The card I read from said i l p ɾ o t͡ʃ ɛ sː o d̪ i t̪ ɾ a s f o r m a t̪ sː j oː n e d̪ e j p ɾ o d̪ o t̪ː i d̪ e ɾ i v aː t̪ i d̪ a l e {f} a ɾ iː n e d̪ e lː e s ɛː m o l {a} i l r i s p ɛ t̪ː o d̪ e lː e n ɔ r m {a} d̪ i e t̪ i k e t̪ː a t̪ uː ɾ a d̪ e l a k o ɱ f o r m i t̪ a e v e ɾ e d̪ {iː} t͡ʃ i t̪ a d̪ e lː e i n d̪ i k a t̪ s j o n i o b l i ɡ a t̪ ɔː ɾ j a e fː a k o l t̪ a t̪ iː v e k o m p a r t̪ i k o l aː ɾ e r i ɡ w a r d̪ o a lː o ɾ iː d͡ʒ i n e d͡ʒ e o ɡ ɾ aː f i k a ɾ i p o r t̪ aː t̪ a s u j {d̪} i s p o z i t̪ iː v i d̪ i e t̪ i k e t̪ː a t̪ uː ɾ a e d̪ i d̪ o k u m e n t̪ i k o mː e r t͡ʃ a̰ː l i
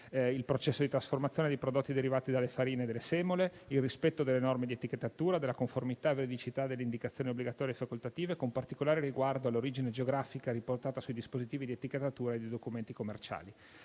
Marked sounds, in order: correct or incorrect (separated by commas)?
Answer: correct, incorrect, incorrect, incorrect, correct